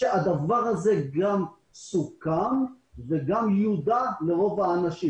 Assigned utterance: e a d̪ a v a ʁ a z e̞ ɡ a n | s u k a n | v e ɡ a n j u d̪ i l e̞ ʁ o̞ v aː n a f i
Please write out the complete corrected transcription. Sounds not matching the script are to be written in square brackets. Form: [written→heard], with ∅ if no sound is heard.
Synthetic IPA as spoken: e a d̪ a v a ʁ a z e̞ ɡ a [n→m] | s u k a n | v e ɡ a [n→m] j u d̪ [i→a] l e̞ ʁ o̞ v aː n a [f→ʃ] i